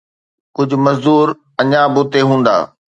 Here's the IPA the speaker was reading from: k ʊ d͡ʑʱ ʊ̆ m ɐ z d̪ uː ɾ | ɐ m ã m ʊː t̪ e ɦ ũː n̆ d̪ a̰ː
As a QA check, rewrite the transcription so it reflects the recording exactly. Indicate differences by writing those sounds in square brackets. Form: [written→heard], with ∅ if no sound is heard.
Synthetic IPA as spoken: k ʊ d͡ʑʱ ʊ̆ m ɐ z d̪ uː ɾ | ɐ [m→ɲ] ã [m→b] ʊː t̪ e ɦ ũː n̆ d̪ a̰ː